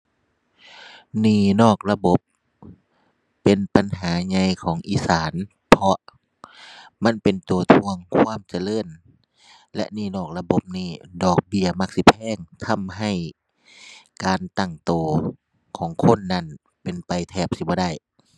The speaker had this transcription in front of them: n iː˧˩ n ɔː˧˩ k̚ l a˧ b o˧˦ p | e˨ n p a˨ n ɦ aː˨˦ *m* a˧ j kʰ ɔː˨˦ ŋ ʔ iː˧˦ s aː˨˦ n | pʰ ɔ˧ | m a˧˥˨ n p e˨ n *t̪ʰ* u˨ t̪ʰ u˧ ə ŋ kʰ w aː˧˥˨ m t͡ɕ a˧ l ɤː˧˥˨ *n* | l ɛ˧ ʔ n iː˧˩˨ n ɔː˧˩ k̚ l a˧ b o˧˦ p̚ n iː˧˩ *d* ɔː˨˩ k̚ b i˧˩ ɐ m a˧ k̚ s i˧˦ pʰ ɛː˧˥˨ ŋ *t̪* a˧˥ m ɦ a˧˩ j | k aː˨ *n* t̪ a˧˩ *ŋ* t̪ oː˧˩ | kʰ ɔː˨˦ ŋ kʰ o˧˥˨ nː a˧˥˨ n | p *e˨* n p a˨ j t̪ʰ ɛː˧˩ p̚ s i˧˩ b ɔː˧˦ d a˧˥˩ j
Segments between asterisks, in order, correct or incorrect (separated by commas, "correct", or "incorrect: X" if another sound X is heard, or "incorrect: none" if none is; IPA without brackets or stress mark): incorrect: ɲ, incorrect: t̪, correct, correct, incorrect: t̪ʰ, correct, correct, correct